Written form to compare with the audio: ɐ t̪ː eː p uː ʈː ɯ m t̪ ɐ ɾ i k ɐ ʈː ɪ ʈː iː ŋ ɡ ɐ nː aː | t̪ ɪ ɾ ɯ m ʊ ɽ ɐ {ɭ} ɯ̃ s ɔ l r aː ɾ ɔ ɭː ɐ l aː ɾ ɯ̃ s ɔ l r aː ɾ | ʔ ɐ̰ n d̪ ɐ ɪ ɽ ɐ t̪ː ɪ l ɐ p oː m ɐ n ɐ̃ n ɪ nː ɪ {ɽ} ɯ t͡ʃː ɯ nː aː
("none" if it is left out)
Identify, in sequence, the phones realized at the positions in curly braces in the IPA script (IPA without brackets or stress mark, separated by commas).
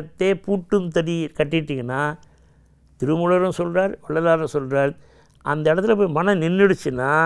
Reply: ɾ, ɽ